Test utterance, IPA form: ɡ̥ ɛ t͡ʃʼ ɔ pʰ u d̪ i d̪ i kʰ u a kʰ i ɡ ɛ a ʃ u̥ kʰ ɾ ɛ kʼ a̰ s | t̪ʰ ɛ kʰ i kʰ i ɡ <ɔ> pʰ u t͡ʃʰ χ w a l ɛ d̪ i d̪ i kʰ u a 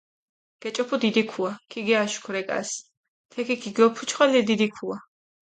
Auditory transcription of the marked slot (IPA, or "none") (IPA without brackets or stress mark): ɔ